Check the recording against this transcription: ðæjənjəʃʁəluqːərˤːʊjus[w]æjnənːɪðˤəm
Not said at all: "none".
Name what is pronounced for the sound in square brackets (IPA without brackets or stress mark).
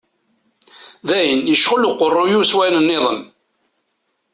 w